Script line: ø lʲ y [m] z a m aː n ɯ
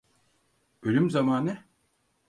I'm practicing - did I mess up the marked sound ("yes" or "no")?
no